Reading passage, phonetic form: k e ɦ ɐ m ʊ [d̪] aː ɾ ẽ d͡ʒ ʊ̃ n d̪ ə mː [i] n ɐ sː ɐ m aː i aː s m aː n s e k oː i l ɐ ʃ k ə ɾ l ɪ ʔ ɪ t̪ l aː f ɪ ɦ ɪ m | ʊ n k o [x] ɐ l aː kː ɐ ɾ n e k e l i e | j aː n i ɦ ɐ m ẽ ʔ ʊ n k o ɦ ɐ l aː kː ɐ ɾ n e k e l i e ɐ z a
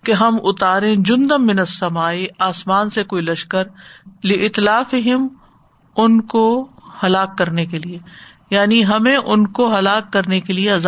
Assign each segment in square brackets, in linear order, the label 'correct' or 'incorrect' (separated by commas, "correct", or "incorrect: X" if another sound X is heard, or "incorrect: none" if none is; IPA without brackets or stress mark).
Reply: incorrect: t̪, incorrect: ɪ, incorrect: h